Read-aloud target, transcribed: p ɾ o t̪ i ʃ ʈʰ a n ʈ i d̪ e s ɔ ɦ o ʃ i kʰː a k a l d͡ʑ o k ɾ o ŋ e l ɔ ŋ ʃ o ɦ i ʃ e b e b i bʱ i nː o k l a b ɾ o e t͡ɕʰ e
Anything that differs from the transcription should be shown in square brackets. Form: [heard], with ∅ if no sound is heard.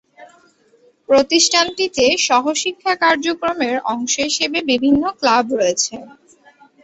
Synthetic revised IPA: p ɾ o t̪ i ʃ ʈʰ a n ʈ i [t̪] e [ʃ] ɔ ɦ o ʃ i kʰː a k a [ɾ] d͡ʑ o k ɾ o [m] e [ɾ] ɔ ŋ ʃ o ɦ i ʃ e b e b i bʱ i nː o k l a b ɾ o e t͡ɕʰ e

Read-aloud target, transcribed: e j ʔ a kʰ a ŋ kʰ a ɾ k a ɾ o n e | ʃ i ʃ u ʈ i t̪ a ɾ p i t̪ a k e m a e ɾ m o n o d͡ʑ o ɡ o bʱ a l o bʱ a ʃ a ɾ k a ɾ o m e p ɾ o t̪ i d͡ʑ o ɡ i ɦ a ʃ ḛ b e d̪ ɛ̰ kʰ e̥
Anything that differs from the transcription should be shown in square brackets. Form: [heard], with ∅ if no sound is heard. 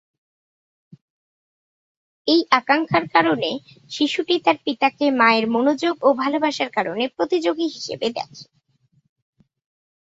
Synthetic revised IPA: e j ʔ a [k] a ŋ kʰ a ɾ k a ɾ o n e | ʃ i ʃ u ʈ i t̪ a ɾ p i t̪ a k e m a e ɾ m o n o d͡ʑ o ɡ o bʱ a l o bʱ a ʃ a ɾ k a ɾ o [n] e p ɾ o t̪ i d͡ʑ o ɡ i ɦ [i] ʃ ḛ b e d̪ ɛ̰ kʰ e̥

